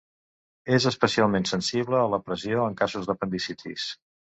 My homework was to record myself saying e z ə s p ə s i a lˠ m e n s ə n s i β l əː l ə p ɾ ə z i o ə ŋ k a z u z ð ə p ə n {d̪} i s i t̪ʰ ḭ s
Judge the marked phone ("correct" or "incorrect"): correct